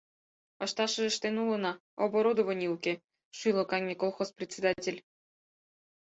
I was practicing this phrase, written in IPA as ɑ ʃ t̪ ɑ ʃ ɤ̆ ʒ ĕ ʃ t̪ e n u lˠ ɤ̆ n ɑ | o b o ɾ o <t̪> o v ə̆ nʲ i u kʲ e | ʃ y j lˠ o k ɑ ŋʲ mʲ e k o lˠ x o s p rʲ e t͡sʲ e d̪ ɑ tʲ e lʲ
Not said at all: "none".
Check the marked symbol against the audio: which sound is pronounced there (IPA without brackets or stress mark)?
d̪